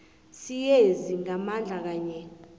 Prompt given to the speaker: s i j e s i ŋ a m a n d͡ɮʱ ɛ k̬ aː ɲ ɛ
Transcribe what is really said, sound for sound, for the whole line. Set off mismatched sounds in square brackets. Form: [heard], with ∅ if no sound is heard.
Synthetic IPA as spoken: s i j e [z] i ŋ a m a n d͡ɮʱ [a] k̬ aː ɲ ɛ